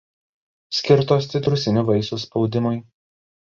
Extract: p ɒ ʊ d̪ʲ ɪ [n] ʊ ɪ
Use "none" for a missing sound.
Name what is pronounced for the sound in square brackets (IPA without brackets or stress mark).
m